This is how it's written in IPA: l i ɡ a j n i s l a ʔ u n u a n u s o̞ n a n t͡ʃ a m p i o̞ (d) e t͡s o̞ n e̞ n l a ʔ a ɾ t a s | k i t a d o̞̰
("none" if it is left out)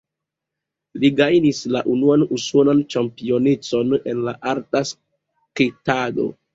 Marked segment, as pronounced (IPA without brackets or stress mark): n